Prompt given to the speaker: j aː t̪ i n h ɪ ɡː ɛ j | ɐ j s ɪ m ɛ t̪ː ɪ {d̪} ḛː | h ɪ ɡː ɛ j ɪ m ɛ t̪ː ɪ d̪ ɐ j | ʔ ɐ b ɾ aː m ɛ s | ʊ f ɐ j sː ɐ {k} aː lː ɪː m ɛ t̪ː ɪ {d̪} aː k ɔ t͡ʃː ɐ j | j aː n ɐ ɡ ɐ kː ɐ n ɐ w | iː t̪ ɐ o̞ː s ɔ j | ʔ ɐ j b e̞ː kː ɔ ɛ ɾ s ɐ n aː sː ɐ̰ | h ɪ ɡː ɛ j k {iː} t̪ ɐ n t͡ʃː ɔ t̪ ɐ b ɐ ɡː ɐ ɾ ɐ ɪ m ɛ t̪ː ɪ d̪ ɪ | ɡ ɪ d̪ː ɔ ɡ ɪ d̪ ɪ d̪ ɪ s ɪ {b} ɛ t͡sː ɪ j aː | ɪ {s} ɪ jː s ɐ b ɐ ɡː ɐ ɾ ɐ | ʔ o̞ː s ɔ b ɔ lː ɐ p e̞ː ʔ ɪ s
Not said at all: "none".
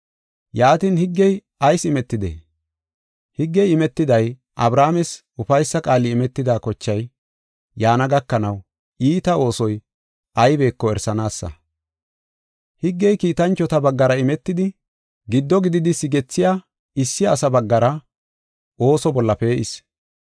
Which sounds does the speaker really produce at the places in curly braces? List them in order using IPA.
d̪, kʼ, d̪, iː, ɡ, sː

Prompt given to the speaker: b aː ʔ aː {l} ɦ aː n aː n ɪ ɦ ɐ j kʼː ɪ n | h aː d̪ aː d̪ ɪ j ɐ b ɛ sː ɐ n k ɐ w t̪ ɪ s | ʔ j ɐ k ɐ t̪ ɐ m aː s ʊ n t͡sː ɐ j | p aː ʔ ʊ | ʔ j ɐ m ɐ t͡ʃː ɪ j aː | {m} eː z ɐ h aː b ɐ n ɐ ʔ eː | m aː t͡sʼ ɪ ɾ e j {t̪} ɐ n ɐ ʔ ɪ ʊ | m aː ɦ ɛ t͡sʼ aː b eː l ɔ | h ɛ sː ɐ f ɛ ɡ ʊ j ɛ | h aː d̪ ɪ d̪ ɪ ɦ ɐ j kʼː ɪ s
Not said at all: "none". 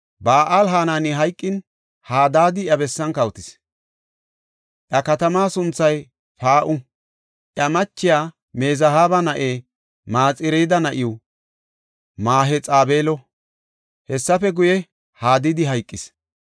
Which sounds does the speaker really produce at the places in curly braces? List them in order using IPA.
l, m, d̪

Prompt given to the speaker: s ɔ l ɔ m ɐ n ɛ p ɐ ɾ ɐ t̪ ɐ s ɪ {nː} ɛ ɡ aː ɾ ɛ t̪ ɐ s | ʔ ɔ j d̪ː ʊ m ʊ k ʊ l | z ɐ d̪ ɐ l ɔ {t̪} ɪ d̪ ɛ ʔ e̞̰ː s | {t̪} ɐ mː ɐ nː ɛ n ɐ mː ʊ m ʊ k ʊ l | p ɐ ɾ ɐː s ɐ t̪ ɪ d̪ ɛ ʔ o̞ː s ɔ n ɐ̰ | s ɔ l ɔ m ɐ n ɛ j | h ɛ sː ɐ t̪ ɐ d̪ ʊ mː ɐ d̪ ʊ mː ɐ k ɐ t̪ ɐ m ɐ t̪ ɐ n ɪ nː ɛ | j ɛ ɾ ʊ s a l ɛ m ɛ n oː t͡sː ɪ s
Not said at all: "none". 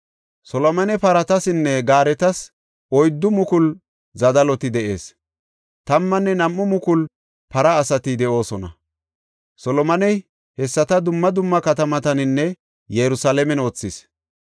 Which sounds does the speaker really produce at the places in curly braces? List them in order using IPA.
nː, t̪, t̪

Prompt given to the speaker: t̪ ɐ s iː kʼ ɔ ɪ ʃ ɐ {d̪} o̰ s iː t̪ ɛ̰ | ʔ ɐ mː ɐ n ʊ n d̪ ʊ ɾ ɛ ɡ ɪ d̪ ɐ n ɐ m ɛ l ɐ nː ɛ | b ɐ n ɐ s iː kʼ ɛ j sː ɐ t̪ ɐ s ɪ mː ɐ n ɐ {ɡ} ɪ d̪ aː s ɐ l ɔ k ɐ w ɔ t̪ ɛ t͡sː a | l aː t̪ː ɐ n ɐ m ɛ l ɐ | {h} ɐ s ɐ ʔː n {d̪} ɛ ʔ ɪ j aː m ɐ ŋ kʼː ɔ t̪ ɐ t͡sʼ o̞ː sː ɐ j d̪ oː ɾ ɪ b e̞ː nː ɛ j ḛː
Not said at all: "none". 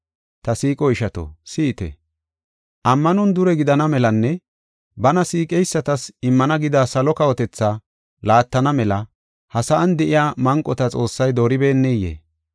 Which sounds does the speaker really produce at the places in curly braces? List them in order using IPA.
t̪, ɡ, h, d̪

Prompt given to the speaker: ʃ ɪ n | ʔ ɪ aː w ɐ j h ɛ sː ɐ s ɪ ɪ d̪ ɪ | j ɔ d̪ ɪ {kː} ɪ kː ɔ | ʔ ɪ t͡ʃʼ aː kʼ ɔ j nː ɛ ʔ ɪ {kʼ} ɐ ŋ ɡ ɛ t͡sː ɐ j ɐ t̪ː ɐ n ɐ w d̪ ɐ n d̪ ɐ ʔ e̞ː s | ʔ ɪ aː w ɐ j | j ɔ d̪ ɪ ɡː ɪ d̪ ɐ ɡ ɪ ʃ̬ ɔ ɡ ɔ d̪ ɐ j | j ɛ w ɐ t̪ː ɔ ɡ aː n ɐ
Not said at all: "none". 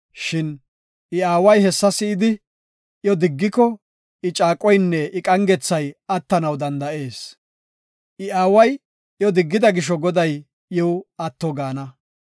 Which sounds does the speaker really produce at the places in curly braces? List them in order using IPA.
ɡː, kʼ

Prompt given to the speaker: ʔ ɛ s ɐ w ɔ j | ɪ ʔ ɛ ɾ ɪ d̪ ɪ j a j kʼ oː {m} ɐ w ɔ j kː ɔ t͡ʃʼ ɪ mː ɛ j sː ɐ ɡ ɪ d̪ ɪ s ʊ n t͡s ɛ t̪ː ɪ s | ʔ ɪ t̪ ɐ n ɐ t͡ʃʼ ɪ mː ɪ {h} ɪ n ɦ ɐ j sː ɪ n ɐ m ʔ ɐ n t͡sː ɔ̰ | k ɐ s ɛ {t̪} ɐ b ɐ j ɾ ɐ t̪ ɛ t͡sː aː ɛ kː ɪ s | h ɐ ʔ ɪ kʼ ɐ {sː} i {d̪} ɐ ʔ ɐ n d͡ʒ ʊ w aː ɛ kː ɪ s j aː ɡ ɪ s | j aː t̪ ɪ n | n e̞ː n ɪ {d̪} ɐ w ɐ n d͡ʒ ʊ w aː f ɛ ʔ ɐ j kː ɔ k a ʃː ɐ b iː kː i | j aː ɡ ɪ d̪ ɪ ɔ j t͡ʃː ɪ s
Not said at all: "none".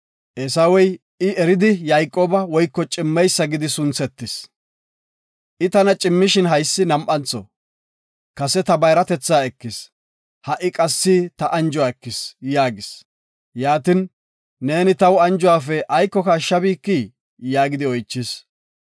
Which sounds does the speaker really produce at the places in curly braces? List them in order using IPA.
b, ʃ, t̪, sː, t̪, t̪

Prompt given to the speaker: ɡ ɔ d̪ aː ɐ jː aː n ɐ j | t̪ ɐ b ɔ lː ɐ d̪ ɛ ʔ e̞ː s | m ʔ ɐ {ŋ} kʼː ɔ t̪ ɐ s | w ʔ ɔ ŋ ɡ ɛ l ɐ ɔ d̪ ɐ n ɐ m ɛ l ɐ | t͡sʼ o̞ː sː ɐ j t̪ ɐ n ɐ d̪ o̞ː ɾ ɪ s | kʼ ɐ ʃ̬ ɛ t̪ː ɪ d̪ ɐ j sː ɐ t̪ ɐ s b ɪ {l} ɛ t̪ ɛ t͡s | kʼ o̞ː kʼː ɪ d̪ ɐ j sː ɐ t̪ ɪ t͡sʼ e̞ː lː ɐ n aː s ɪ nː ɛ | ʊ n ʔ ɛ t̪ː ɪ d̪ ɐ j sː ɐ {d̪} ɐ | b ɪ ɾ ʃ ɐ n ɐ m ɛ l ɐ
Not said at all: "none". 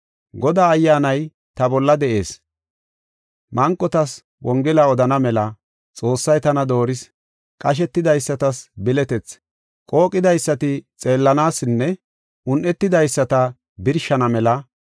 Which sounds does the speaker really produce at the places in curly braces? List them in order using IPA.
ŋ, l, t̪

